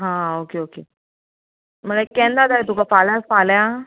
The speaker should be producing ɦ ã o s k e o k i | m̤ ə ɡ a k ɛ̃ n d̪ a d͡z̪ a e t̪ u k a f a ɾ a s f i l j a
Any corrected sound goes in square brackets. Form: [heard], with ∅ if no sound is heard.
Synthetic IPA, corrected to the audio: ɦ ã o [∅] k e o k [e] | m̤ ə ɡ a k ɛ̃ n d̪ a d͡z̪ a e t̪ u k a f a [l] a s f [a] l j a